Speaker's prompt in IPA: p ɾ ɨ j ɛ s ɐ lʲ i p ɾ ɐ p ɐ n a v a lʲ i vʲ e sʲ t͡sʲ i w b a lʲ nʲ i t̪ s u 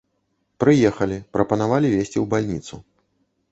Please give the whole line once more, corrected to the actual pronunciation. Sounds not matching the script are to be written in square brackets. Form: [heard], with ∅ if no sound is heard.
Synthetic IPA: p ɾ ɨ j ɛ [x] ɐ lʲ i p ɾ ɐ p ɐ n a v a lʲ i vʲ e sʲ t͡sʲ i w b a lʲ nʲ i t̪ s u